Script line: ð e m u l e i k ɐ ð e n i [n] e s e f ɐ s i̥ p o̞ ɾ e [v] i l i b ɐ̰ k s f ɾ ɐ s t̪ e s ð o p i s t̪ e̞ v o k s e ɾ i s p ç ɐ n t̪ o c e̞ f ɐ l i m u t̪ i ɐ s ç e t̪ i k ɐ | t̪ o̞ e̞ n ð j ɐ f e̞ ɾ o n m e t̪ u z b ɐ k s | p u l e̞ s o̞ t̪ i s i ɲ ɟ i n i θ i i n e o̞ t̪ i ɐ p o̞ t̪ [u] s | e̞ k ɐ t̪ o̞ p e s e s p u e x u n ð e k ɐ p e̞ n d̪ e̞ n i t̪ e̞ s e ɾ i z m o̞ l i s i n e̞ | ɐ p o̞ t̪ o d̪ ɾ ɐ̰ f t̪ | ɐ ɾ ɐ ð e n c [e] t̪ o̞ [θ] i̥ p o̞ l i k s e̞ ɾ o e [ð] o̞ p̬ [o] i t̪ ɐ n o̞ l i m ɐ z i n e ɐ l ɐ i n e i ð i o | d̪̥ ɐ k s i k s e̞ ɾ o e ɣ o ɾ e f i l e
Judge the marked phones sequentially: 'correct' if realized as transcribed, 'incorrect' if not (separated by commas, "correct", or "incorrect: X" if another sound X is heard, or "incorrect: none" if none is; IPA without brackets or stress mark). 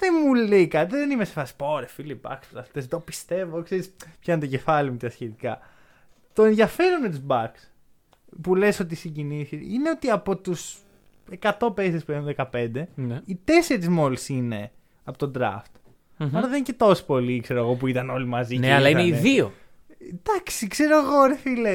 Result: incorrect: m, incorrect: f, correct, correct, incorrect: s, incorrect: ɣ, incorrect: u